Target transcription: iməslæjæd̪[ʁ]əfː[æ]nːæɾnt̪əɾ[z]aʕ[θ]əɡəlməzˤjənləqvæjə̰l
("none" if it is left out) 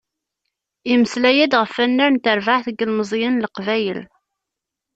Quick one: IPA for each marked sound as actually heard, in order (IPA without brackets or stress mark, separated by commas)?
ʁ, æ, v, θ